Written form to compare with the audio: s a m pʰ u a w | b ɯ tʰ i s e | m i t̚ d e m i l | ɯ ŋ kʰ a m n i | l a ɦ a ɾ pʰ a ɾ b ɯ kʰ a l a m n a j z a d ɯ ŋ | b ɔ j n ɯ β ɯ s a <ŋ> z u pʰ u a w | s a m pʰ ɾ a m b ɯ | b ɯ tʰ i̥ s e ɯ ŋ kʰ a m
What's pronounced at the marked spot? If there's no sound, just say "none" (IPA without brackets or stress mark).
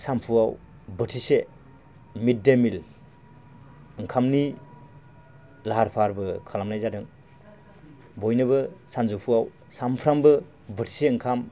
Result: n